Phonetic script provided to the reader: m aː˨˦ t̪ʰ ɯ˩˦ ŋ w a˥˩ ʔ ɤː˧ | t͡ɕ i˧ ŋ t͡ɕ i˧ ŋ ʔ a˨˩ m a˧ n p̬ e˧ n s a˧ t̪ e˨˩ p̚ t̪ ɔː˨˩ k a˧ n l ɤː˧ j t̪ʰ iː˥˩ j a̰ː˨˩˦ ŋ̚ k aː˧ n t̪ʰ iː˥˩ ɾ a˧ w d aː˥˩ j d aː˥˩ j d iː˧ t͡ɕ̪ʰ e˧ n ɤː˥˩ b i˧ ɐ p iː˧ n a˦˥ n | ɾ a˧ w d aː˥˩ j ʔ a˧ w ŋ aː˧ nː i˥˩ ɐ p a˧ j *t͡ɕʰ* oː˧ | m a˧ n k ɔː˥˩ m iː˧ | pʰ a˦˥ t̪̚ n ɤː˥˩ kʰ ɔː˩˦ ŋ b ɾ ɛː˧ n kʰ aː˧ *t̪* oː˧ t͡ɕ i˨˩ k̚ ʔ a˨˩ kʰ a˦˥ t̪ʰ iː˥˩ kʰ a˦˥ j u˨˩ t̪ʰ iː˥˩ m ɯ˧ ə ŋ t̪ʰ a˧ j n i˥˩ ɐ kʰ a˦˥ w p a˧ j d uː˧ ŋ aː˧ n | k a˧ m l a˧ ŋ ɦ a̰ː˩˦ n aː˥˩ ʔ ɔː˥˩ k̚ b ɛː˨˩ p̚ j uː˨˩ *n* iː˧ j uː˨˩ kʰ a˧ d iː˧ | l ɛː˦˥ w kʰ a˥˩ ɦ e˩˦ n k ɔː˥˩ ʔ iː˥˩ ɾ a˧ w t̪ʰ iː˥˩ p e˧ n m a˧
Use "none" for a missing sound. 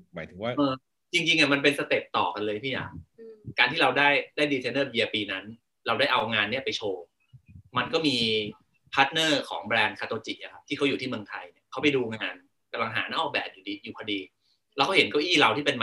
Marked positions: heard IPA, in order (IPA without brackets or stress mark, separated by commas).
t͡ɕʰ, t̪, d